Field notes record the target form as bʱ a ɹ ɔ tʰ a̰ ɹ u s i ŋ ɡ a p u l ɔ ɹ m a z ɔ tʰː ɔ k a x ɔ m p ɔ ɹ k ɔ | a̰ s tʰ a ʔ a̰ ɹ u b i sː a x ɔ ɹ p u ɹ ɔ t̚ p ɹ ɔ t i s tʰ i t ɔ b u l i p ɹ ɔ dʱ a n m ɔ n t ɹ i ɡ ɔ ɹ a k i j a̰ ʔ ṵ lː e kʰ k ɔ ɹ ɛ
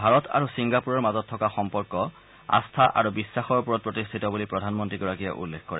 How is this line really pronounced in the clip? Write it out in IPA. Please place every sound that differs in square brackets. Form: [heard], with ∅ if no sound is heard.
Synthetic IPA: bʱ a ɹ ɔ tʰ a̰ ɹ u s i ŋ ɡ a p u [ɹ] ɔ ɹ m a z ɔ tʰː ɔ k a x ɔ m p ɔ ɹ k ɔ | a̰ s tʰ a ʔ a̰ ɹ u b i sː a x ɔ ɹ p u ɹ ɔ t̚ p ɹ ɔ t i s tʰ i t ɔ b u l i p ɹ ɔ dʱ a n m ɔ n t ɹ i ɡ ɔ ɹ a k i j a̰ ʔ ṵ lː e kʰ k ɔ ɹ ɛ